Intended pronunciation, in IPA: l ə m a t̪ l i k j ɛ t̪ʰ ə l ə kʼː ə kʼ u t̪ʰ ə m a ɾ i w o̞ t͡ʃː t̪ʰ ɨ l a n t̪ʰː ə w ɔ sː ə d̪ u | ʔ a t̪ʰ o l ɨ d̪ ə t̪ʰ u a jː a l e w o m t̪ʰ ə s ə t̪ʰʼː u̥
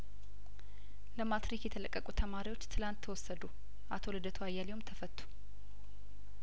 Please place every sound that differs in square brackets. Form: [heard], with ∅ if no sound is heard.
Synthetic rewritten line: l ə m a t̪ [ɾ] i k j ɛ t̪ʰ ə l ə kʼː ə kʼ u t̪ʰ ə m a ɾ i w o̞ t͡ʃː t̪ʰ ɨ l a n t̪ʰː ə w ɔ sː ə d̪ u | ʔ a t̪ʰ o l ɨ d̪ ə t̪ʰ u a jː a l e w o m t̪ʰ ə [f] ə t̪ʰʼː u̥